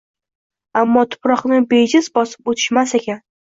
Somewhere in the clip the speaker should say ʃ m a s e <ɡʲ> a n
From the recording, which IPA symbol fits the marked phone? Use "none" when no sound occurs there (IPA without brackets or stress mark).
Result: kʲ